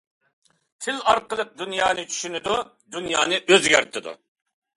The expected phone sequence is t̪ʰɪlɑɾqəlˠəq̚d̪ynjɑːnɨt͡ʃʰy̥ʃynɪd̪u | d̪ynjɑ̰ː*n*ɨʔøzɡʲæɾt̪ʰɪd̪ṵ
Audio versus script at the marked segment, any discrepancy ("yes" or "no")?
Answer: no